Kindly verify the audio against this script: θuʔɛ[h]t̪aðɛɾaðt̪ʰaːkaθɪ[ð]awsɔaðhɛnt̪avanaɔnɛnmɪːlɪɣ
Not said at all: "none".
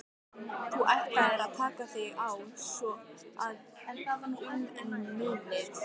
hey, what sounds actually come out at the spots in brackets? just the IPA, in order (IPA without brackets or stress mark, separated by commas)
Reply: h, ɣ